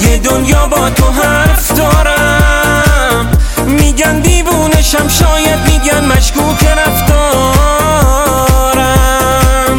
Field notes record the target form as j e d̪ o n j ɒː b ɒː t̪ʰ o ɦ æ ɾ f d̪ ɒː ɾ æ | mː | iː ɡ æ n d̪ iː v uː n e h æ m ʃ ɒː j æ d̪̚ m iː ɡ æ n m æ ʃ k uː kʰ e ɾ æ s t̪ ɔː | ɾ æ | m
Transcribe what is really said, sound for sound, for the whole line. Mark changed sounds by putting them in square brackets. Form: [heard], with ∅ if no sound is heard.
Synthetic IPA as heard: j e d̪ o n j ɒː b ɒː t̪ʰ o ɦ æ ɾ f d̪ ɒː ɾ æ | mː | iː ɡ æ n d̪ iː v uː n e [ʃ] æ m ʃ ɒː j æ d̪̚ m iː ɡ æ n m æ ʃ k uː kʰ e ɾ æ [f] t̪ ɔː | ɾ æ | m